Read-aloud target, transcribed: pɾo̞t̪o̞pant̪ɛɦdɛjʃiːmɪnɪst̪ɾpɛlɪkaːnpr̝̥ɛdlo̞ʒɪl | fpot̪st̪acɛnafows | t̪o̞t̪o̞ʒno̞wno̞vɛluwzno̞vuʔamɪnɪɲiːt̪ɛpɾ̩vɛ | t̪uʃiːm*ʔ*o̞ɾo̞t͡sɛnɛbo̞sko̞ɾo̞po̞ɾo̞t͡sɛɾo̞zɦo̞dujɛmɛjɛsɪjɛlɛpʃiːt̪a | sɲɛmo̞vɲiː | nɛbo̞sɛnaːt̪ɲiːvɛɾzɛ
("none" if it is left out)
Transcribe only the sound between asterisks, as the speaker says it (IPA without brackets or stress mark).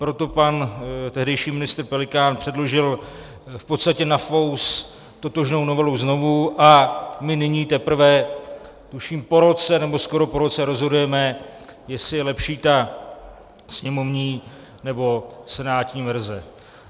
p